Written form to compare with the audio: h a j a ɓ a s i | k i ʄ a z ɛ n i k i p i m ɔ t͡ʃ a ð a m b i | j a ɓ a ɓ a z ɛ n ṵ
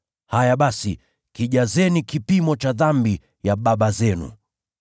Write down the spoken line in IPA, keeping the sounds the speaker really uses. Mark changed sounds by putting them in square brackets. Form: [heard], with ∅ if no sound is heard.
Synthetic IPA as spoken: h a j a ɓ a s i | k i ʄ a z ɛ n i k i p i m ɔ t͡ʃ a ð a m b i | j a ɓ a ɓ a z ɛ n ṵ